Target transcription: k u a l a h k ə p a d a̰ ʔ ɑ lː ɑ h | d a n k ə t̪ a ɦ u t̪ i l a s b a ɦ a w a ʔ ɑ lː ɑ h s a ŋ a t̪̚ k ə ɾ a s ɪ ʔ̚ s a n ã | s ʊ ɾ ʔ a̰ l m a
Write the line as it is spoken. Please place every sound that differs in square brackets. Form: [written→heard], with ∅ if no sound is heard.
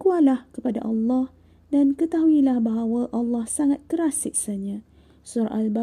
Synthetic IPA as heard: k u a l a h k ə p a d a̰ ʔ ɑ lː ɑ h | d a n k ə t̪ a ɦ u [t̪→∅] i l a [s→h] b a ɦ a w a ʔ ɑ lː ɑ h s a ŋ a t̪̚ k ə ɾ a s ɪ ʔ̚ s a [n→ɲ] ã | s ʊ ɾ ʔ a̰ l [m→b] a